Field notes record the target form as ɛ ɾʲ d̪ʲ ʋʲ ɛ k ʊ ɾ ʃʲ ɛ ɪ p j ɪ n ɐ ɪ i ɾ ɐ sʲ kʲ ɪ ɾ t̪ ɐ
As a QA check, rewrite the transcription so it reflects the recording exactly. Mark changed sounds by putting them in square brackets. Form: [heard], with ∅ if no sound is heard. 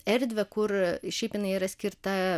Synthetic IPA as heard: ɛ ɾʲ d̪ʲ ʋʲ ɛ k ʊ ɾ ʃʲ ɛ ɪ p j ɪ n ɐ ɪ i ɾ ɐ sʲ kʲ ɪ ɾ t̪ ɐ